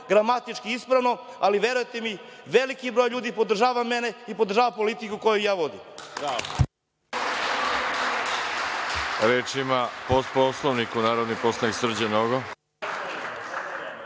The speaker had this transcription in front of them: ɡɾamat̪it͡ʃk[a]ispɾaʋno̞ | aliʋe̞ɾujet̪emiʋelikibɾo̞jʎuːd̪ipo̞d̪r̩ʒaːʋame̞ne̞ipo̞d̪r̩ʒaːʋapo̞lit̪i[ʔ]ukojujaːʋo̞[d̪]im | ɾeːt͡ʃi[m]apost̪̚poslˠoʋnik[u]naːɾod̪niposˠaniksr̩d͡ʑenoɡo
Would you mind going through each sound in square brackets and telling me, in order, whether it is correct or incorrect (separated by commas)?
incorrect, incorrect, correct, correct, correct